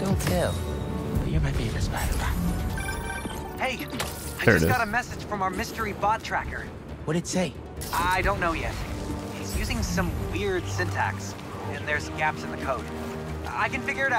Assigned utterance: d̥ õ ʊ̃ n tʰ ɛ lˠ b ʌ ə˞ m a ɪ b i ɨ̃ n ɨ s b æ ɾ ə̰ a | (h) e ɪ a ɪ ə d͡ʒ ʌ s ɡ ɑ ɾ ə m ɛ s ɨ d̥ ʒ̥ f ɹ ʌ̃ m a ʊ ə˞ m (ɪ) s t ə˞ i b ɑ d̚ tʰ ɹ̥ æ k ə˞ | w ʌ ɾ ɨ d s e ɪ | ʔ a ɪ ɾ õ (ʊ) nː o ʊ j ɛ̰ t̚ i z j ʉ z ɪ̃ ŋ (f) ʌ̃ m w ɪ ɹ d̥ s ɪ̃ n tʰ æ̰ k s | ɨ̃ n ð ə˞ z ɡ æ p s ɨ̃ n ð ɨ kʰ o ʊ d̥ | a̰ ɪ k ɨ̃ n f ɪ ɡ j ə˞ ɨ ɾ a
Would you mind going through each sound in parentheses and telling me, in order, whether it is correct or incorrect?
correct, correct, incorrect: ʊ̃, incorrect: s

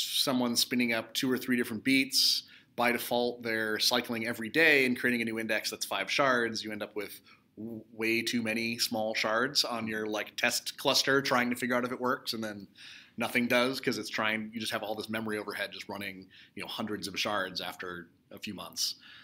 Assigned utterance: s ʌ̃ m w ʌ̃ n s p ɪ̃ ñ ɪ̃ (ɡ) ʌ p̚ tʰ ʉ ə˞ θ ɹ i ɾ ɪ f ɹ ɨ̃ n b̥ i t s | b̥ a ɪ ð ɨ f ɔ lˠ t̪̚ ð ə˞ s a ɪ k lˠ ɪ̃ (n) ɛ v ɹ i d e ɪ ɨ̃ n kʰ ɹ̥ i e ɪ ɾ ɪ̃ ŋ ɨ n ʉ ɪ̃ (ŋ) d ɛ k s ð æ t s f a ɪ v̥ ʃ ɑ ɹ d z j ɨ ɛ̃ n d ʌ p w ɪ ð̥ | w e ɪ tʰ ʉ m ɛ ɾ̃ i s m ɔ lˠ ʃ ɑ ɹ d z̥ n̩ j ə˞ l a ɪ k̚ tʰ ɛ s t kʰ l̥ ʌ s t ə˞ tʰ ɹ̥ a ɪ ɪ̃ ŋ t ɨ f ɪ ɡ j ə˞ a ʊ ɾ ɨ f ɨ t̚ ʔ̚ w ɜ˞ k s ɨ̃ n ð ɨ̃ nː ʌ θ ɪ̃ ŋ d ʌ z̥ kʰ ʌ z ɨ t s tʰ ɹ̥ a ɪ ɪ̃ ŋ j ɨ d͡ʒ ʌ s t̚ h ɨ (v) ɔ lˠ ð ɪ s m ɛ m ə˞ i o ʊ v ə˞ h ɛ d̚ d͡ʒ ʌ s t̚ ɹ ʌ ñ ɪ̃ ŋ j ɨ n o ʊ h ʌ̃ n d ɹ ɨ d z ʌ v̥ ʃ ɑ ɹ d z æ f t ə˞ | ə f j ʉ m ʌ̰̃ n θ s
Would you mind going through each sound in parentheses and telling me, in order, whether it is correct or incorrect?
incorrect: ŋ, incorrect: ŋ, incorrect: n, correct

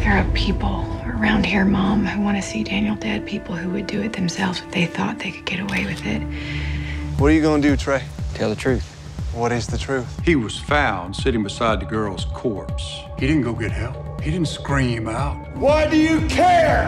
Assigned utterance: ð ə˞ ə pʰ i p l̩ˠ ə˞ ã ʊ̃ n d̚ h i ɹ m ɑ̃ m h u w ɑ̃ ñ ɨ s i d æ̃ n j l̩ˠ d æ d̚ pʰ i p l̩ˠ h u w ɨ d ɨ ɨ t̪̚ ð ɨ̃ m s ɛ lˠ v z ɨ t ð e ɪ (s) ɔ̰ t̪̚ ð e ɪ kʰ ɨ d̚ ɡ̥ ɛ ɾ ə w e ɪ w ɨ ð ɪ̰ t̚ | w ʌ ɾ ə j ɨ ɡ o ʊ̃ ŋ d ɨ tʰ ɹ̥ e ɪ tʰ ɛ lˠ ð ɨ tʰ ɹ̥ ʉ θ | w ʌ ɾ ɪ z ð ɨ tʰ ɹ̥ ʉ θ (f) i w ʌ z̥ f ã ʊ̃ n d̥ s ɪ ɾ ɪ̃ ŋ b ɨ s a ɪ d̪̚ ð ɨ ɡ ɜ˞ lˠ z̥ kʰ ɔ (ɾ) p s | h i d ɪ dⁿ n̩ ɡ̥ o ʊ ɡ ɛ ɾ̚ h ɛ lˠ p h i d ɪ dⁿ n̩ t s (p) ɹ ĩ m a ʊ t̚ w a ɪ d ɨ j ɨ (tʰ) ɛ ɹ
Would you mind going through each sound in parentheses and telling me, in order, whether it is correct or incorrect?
incorrect: θ, incorrect: h, incorrect: ɹ, incorrect: k, incorrect: kʰ

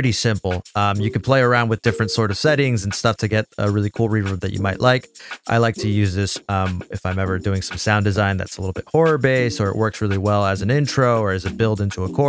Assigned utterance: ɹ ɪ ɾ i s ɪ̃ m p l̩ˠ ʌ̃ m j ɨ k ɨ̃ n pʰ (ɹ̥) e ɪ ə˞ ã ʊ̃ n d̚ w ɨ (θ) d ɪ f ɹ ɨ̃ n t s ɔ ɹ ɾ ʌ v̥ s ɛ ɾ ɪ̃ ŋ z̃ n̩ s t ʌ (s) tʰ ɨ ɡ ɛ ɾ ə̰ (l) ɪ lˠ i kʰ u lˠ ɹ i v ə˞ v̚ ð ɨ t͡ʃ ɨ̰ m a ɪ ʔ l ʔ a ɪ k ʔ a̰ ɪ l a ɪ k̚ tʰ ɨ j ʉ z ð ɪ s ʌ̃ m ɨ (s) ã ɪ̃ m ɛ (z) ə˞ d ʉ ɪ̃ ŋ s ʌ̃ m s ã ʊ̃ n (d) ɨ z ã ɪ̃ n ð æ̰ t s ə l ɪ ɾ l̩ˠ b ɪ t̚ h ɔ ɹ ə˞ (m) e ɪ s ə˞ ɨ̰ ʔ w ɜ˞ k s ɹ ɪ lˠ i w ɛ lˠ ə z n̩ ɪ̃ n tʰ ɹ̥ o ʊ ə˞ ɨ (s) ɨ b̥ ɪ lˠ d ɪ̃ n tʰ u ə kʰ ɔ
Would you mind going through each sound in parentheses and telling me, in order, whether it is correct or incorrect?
incorrect: l̥, incorrect: ð, incorrect: f, incorrect: ɹ, incorrect: f, incorrect: v, correct, incorrect: b, incorrect: z

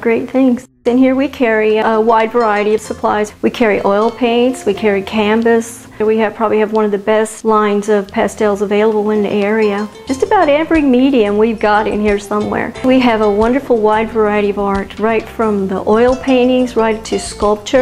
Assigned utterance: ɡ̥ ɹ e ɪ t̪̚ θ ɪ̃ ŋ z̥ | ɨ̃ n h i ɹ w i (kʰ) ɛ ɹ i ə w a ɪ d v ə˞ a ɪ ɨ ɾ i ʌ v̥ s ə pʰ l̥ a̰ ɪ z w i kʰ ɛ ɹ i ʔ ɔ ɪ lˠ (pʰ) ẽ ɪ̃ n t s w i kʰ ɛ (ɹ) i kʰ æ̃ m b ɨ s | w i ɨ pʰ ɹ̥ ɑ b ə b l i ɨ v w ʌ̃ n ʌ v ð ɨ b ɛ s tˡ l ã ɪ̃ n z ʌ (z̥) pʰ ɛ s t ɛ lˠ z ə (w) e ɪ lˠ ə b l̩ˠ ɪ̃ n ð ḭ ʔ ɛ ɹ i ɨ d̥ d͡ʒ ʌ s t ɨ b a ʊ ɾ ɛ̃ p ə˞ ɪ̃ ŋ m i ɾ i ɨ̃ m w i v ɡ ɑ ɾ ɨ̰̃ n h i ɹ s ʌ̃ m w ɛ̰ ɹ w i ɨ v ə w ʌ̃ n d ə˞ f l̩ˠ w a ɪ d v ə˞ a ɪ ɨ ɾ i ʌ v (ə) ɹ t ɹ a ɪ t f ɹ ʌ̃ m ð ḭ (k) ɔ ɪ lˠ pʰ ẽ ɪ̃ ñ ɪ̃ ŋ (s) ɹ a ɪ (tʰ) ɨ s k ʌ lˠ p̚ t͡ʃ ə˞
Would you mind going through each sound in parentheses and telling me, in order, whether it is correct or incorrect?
correct, correct, correct, incorrect: v̥, incorrect: v, incorrect: ɑ, incorrect: ʔ, incorrect: z, correct

